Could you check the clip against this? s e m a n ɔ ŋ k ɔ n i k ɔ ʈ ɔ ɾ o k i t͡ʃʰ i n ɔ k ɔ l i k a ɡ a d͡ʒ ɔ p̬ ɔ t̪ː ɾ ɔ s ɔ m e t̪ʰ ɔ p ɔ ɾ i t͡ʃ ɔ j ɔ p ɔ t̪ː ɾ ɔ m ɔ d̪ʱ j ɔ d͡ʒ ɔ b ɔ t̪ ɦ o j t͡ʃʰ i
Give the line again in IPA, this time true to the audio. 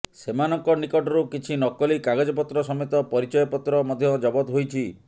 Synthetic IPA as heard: s e m a n ɔ ŋ k ɔ n i k ɔ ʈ ɔ ɾ u k i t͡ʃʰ i n ɔ k ɔ l i k a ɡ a d͡ʒ ɔ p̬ ɔ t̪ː ɾ ɔ s ɔ m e t̪ ɔ p ɔ ɾ i t͡ʃ ɔ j ɔ p ɔ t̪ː ɾ ɔ m ɔ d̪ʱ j ɔ d͡ʒ ɔ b ɔ t̪ ɦ o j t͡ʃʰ i